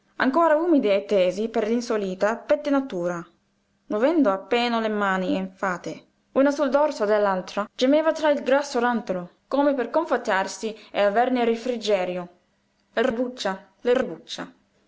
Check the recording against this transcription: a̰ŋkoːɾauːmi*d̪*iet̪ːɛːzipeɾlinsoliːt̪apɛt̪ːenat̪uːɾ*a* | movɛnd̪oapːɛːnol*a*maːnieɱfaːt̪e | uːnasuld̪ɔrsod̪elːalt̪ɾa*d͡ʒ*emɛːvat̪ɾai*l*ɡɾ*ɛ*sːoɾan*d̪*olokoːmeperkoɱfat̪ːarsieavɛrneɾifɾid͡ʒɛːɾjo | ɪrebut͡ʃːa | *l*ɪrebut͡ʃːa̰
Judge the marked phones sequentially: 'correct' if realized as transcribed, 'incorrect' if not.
correct, correct, incorrect, correct, correct, incorrect, incorrect, correct

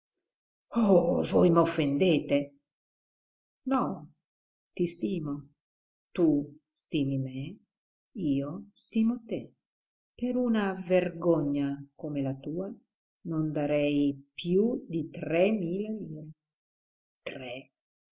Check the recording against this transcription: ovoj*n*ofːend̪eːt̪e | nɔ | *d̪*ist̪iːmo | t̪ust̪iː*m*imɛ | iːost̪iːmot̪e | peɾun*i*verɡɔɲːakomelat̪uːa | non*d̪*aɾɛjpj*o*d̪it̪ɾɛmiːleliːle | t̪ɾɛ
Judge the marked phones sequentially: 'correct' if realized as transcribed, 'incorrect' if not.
incorrect, incorrect, correct, incorrect, correct, incorrect

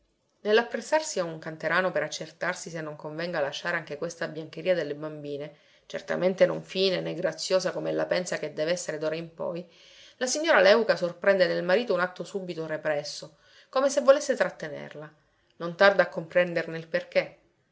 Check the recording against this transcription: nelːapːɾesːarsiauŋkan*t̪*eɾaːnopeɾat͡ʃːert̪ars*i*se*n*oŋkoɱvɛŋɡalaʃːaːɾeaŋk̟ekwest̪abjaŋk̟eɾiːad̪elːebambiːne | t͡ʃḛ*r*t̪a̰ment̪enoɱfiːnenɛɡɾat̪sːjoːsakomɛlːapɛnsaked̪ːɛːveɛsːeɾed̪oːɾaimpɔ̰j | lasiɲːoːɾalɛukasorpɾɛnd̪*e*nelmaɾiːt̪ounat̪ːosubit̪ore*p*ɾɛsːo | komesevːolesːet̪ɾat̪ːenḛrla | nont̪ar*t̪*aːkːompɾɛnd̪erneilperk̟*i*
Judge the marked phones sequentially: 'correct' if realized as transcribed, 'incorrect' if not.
correct, correct, incorrect, correct, correct, correct, incorrect, incorrect

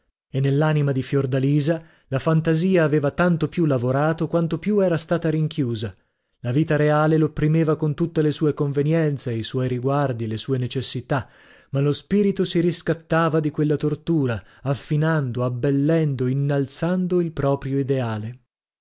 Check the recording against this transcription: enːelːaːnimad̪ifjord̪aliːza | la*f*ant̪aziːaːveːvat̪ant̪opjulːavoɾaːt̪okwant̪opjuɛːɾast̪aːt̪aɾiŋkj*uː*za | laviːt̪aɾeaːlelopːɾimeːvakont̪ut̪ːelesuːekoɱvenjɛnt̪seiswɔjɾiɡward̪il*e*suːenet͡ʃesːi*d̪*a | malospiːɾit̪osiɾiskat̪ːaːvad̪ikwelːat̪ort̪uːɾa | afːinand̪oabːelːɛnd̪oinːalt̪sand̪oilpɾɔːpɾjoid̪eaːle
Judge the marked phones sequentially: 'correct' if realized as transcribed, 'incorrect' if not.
correct, correct, correct, incorrect

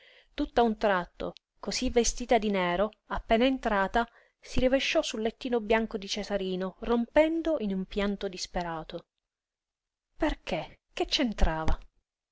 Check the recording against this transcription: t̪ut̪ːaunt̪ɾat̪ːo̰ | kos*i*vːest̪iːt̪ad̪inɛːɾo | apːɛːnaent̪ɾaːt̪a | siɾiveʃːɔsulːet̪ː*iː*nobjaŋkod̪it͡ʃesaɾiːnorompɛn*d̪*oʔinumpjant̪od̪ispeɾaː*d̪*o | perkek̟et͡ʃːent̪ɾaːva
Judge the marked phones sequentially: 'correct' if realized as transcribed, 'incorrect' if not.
correct, correct, correct, incorrect

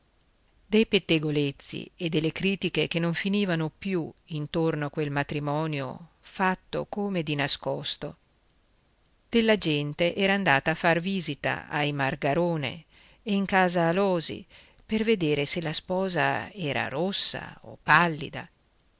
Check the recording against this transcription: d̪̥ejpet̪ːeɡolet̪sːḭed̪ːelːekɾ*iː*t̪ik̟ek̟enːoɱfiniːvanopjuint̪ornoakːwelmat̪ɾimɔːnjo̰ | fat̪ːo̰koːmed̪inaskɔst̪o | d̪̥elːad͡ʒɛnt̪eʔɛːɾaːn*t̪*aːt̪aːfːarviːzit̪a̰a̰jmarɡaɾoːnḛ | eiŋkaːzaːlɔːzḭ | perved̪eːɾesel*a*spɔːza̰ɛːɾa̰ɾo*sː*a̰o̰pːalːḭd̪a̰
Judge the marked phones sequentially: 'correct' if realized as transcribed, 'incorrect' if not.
correct, incorrect, correct, correct

